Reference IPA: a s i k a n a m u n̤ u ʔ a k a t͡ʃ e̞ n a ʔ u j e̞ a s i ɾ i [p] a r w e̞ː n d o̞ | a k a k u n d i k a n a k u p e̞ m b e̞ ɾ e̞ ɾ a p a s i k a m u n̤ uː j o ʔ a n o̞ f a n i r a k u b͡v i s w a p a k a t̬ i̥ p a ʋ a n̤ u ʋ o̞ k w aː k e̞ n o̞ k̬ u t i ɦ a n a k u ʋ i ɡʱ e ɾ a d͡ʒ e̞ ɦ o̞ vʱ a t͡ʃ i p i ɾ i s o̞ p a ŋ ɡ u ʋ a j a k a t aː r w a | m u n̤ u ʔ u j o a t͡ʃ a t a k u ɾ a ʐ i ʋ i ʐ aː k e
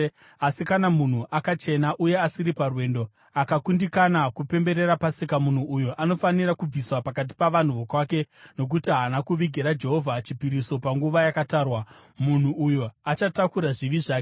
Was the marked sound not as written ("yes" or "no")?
no